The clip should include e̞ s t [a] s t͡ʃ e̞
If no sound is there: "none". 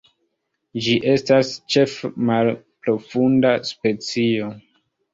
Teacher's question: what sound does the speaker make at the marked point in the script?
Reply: a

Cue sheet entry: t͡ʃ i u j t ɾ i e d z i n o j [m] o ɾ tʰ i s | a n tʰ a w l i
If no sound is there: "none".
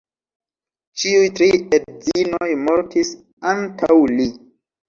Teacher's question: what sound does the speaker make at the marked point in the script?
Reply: m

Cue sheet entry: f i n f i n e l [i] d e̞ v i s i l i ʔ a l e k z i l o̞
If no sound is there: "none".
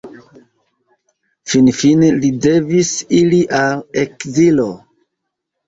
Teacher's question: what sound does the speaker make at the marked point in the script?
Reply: i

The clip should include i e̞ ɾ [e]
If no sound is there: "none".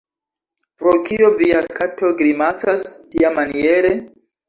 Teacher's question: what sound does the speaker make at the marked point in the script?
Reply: e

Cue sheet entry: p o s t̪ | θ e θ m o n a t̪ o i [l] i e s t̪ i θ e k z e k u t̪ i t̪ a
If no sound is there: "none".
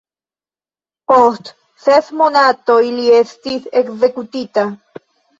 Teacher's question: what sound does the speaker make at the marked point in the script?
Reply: l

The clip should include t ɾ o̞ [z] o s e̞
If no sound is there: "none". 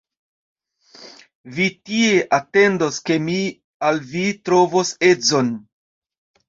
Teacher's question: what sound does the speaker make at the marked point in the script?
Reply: v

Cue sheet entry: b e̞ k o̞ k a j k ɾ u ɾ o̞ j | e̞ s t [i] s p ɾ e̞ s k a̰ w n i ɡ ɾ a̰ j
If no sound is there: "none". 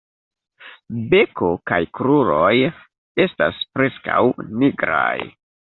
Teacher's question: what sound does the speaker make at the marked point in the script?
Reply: a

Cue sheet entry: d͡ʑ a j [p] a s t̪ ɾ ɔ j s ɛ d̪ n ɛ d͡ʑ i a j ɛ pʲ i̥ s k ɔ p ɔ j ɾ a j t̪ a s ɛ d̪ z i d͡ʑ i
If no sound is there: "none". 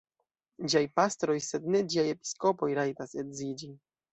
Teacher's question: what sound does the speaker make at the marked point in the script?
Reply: p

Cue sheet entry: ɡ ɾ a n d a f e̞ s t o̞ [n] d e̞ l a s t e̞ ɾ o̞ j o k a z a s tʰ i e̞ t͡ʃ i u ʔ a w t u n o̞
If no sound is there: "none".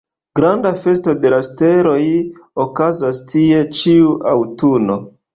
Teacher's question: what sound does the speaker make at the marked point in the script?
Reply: none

